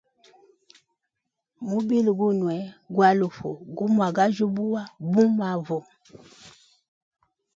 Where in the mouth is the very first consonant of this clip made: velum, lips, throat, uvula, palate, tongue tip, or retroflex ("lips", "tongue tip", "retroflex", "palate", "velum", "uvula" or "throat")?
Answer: lips